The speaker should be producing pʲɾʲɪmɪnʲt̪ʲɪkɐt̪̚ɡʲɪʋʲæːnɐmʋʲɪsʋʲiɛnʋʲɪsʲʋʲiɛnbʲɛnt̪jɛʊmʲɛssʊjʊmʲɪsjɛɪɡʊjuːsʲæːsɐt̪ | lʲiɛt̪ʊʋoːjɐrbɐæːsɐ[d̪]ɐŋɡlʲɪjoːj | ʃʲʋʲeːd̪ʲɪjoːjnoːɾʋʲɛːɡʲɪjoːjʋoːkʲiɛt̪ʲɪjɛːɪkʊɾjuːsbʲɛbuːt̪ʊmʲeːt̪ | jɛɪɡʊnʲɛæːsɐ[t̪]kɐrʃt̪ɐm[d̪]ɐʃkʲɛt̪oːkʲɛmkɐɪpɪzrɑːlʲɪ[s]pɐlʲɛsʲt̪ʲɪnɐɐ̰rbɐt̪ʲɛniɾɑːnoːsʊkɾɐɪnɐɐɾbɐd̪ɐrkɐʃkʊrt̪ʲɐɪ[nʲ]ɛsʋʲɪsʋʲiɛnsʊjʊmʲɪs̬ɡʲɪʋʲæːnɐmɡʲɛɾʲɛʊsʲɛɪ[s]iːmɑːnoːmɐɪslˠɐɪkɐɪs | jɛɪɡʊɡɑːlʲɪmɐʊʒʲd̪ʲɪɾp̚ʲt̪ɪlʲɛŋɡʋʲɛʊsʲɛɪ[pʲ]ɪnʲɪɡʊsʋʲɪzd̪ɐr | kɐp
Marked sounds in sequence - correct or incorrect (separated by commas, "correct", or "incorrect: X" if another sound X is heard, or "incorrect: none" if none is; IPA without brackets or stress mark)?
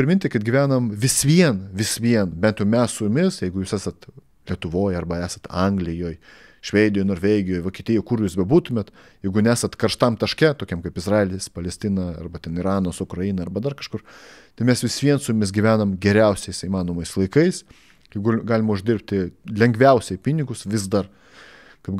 incorrect: t̪, correct, incorrect: t̪, correct, incorrect: mʲ, correct, correct